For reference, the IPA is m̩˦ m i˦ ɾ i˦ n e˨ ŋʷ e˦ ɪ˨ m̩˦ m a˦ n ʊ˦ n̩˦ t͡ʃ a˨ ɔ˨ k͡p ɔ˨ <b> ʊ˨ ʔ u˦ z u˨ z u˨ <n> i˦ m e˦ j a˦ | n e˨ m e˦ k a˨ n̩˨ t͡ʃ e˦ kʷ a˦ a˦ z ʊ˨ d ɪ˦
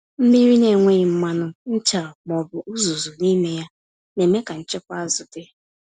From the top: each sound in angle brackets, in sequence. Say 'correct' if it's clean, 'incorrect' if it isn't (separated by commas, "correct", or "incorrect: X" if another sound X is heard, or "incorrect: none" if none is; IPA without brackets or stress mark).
correct, correct